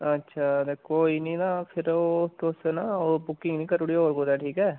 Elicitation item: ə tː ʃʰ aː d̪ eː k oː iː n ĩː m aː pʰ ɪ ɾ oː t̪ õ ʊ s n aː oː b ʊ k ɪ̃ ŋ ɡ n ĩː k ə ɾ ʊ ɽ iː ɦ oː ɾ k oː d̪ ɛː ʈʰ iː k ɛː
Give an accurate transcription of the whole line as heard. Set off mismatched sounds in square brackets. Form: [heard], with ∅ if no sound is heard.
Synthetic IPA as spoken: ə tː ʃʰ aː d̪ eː k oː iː n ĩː [n] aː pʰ ɪ ɾ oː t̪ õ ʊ s n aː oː b ʊ k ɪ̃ ŋ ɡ n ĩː k ə ɾ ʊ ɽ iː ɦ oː ɾ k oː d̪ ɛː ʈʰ iː k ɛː